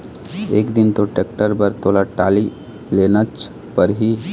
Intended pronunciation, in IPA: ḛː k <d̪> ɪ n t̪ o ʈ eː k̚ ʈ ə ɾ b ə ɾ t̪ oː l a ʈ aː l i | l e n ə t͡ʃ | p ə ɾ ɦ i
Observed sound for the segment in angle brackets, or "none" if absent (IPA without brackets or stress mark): d̪